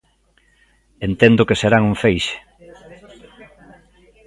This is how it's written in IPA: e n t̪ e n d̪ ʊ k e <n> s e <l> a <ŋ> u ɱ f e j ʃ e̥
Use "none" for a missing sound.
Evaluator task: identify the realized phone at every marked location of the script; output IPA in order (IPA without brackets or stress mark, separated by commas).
none, ɾ, ŋ